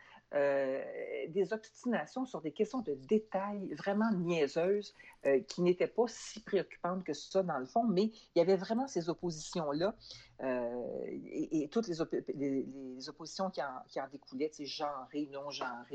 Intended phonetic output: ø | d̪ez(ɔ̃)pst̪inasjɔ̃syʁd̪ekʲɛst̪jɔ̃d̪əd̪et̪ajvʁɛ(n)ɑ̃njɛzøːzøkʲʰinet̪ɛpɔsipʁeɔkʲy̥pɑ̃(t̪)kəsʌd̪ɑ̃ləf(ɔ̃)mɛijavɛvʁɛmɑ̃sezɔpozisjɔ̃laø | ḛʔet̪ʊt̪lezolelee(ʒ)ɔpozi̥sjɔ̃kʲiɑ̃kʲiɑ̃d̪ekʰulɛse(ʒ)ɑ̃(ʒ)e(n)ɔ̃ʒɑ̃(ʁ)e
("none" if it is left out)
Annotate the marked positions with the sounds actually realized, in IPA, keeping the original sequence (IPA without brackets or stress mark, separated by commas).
ɔ, m, t̪, ɔ̃, z, ʒ, ʁ, n, ʁ